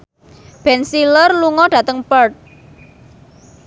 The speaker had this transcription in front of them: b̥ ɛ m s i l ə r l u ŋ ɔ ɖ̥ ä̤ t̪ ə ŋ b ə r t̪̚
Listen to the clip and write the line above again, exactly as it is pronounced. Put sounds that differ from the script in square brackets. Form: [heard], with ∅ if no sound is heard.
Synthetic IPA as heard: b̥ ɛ [n] s i l ə r l u ŋ ɔ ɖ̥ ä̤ t̪ ə ŋ [p] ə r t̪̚

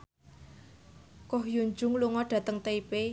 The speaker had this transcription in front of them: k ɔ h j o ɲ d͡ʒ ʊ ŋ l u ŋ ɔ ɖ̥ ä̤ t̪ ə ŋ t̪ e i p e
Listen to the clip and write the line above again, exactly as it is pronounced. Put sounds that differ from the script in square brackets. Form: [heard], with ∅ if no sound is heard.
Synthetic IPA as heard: k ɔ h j [u] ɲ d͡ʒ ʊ ŋ l u ŋ ɔ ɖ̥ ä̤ t̪ ə ŋ t̪ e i p e

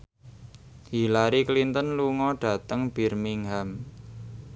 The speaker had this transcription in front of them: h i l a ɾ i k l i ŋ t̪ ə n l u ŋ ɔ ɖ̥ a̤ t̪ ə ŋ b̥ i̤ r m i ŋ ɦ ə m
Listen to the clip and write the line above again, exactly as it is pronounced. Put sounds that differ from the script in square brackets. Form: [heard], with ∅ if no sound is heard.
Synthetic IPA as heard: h i l a ɾ i k l i [n] t̪ ə n l u ŋ ɔ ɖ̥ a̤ t̪ ə ŋ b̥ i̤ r m i ŋ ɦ [a] m

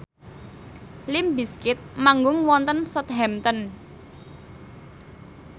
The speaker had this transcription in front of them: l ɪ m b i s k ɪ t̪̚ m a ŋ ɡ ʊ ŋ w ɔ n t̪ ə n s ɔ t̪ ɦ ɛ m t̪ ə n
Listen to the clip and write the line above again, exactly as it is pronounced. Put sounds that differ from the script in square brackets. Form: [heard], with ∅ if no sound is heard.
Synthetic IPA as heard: l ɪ m b i s k ɪ t̪̚ m a ŋ ɡ ʊ ŋ w ɔ n t̪ ə n s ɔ t̪ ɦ ɛ m t̪ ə n

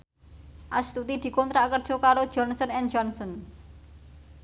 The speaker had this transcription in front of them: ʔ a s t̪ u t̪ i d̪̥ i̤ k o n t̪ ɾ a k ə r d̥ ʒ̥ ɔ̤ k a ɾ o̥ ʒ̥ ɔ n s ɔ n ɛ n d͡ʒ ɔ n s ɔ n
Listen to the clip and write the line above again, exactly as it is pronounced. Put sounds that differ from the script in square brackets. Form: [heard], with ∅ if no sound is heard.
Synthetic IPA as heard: ʔ a s t̪ u t̪ i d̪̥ i̤ k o n t̪ ɾ a k ə r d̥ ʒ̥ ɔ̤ k a ɾ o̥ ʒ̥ ɔ n s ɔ n ɛ n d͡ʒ ɔ n s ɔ n

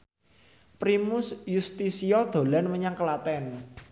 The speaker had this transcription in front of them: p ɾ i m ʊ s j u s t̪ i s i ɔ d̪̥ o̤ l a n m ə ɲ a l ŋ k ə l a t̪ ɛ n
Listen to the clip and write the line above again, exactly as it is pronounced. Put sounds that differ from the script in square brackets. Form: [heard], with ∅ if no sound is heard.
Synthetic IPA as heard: p ɾ i m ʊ s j u s t̪ i s i ɔ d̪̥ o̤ l a n m ə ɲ a [∅] ŋ k ə l a t̪ ɛ n

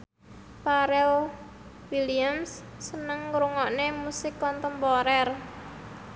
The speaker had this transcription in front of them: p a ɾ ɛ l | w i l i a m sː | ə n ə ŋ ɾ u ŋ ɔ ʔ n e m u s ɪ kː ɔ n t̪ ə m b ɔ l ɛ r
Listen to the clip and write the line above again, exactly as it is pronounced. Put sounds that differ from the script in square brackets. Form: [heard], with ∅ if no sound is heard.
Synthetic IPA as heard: p a ɾ ɛ l | w i l i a m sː | ə n ə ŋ ɾ u ŋ ɔ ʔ n e m u s ɪ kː ɔ n t̪ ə m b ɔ [ɾ] ɛ r

